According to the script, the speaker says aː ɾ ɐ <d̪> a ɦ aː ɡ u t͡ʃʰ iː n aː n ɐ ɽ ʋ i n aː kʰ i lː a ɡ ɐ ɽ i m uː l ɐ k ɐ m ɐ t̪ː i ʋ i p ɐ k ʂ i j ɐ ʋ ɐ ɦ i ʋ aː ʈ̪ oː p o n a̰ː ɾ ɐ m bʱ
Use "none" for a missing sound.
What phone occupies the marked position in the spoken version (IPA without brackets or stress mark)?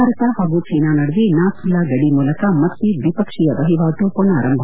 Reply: t̪